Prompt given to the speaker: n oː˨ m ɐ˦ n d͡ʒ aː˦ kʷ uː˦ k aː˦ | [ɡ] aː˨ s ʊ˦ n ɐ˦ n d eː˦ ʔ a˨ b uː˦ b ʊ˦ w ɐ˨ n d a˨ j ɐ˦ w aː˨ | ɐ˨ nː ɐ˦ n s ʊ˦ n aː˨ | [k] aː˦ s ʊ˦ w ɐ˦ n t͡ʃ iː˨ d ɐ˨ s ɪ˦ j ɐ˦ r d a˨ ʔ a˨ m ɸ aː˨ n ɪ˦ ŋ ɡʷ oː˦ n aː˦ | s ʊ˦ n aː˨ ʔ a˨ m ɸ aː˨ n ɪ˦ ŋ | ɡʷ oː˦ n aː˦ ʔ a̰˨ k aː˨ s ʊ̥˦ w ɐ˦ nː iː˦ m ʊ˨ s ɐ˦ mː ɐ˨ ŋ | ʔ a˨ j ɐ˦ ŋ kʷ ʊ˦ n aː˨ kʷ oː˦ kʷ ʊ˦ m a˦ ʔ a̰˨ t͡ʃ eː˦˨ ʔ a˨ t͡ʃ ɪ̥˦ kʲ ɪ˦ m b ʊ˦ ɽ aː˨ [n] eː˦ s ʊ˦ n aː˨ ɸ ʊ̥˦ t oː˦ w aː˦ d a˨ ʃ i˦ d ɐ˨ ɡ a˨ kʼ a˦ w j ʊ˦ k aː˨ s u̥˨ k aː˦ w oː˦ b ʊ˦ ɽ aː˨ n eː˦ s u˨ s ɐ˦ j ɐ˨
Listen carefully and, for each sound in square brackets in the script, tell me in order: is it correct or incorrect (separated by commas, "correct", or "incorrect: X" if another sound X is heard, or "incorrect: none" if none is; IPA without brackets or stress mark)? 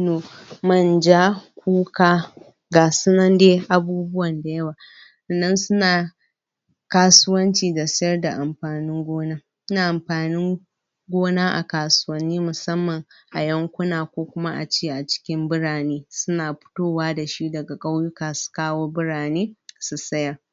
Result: correct, correct, correct